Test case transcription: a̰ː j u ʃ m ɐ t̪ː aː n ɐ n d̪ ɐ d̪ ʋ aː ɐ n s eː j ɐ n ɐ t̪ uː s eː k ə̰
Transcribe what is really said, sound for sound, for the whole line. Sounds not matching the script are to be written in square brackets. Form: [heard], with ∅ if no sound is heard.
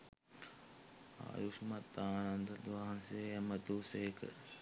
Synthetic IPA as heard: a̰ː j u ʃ m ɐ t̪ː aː n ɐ n d̪ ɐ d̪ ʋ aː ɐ n s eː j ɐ [m] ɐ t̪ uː s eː k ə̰